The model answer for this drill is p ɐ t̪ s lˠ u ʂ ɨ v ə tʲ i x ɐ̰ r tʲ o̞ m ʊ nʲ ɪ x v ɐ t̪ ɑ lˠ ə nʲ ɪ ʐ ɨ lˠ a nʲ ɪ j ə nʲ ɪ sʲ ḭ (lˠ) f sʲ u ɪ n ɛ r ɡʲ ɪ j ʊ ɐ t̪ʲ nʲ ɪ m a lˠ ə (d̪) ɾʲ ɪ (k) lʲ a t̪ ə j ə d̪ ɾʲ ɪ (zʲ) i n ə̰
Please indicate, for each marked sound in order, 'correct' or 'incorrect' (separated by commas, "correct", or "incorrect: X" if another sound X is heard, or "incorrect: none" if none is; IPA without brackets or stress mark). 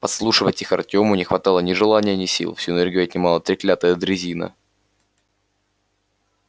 correct, incorrect: t̪, correct, correct